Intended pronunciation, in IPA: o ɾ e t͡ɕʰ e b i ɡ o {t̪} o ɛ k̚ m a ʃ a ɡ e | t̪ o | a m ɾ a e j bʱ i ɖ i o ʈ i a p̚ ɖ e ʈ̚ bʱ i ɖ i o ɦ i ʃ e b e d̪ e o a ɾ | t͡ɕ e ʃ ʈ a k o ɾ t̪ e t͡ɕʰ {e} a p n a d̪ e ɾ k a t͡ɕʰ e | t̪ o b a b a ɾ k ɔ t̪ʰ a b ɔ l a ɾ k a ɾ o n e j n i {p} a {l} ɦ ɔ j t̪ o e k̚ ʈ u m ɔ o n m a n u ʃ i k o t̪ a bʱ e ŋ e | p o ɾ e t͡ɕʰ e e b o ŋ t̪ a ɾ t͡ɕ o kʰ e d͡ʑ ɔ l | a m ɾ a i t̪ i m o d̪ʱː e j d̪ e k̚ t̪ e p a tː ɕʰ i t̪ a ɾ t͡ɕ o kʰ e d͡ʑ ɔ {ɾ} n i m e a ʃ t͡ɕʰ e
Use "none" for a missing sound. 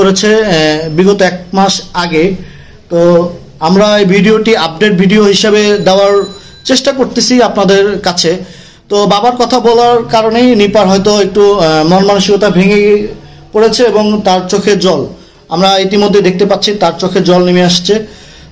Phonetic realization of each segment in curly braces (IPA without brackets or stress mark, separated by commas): t̪, i, p, ɾ, l